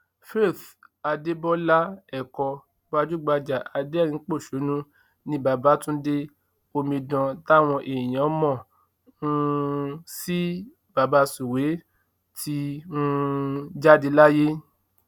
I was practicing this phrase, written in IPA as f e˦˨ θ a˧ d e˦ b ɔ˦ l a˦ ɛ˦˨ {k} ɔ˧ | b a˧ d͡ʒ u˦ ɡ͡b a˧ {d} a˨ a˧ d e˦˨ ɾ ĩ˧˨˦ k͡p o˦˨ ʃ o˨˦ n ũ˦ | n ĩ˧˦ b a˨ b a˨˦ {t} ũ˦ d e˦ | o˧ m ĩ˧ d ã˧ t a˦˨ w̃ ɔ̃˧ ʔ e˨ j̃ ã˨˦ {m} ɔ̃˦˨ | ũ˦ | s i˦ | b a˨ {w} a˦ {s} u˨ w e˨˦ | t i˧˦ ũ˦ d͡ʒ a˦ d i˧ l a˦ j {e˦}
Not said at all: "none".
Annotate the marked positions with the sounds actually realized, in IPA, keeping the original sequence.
k, d͡ʒ, t, m, b, s, e˦

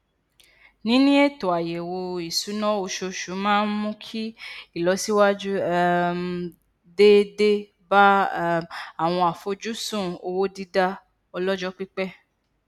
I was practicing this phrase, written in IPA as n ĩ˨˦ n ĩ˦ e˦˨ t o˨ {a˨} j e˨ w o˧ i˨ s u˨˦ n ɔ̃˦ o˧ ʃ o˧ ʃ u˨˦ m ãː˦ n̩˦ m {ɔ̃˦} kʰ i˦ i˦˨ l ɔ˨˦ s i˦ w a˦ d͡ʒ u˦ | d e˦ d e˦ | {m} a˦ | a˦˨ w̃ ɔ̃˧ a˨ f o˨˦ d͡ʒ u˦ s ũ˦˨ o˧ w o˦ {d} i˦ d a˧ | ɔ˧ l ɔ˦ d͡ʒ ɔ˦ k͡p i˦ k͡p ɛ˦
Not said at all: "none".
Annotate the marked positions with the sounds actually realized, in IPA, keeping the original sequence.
a˨, ũ˦, b, d

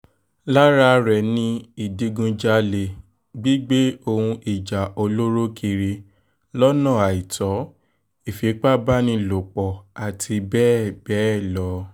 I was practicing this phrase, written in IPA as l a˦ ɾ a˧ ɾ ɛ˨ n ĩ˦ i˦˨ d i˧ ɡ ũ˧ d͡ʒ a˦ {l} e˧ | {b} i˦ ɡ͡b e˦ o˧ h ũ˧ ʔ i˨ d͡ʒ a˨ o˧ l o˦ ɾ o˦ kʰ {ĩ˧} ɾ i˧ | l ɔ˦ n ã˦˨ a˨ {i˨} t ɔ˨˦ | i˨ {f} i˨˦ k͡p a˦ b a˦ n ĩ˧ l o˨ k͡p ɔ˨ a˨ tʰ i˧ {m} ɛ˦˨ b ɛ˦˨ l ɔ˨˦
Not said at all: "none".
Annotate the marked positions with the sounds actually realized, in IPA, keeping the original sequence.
l, ɡ͡b, i˧, i˨, f, b

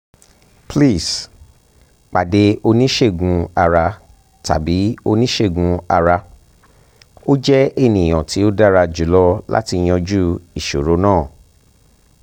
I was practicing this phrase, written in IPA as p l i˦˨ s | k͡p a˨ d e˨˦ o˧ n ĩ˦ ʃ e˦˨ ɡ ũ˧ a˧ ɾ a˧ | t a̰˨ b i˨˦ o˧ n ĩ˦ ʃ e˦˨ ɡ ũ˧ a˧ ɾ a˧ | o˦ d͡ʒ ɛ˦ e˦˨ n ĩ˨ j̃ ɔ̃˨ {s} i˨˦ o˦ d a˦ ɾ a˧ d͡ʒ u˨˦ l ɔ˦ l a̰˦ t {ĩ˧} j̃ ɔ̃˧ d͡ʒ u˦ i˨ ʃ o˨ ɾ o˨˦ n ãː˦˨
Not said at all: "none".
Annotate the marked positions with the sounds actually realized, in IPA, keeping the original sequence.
t, i˧

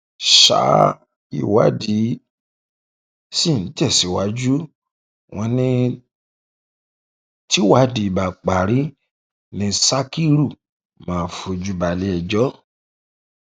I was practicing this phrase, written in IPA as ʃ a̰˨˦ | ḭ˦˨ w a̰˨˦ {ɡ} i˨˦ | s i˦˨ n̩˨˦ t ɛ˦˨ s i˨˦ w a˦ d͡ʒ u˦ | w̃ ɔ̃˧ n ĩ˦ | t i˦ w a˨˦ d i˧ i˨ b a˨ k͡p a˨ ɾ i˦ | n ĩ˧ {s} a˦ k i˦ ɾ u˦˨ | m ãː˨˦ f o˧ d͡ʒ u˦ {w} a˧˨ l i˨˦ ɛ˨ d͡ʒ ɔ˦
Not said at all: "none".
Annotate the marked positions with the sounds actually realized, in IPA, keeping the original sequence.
d, s, b

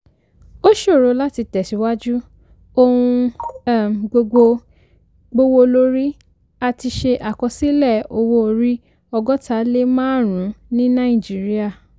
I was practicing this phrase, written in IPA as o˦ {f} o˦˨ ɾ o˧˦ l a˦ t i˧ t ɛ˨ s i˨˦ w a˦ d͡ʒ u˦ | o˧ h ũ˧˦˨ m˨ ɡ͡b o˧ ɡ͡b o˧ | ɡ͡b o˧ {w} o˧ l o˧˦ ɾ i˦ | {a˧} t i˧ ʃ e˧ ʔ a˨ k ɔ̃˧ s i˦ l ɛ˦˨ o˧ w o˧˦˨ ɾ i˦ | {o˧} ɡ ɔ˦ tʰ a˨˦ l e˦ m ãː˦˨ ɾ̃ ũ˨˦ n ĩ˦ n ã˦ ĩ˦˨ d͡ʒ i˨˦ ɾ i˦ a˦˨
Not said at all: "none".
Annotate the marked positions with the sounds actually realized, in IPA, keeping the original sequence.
ʃ, w, a˧, ɔ˧

